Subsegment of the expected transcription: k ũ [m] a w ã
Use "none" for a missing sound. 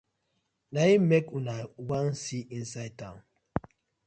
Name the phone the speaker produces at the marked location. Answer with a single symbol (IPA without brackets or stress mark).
n